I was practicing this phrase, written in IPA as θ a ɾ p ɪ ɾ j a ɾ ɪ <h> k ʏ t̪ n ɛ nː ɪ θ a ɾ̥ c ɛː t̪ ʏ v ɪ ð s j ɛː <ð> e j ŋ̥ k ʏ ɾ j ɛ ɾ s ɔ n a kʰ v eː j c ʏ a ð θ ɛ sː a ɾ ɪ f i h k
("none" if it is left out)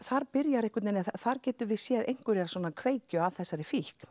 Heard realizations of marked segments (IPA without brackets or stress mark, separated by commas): h, ð